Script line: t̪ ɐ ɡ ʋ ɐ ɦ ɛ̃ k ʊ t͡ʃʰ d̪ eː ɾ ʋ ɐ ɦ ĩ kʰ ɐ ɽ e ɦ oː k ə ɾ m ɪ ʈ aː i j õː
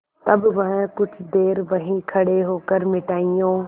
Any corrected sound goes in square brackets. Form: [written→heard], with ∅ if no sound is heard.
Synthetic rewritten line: t̪ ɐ [ɡ→b] ʋ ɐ ɦ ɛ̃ k ʊ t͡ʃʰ d̪ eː ɾ ʋ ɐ ɦ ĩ kʰ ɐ ɽ e ɦ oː k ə ɾ m ɪ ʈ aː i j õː